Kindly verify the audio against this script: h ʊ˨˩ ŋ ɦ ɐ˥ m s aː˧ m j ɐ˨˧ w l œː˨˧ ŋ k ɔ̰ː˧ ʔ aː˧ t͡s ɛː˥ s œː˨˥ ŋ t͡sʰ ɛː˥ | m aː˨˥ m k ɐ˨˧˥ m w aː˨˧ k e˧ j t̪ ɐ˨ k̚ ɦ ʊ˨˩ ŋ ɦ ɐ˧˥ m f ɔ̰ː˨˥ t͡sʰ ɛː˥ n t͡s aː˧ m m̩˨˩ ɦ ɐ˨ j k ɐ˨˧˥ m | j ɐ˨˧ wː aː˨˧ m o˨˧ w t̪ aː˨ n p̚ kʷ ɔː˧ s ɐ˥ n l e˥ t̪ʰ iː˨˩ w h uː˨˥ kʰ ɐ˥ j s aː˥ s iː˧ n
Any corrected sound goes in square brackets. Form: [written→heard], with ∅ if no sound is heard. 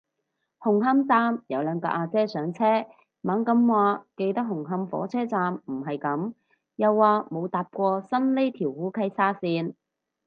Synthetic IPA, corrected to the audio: h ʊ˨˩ ŋ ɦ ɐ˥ m [s→t͡s] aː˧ m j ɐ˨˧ w l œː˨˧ ŋ k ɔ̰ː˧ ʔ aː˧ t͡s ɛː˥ s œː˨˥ ŋ t͡sʰ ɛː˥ | m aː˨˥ [m→ŋ] k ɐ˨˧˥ m w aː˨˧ k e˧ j t̪ [ɐ˨→ɐ˥] k̚ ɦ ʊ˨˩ ŋ ɦ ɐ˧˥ m f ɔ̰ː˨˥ t͡sʰ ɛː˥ [n→∅] t͡s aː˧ m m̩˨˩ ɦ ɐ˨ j k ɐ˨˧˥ m | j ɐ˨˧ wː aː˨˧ m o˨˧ w t̪ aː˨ [n→∅] p̚ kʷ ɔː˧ s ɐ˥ n l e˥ t̪ʰ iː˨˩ w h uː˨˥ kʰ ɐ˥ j s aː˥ s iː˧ n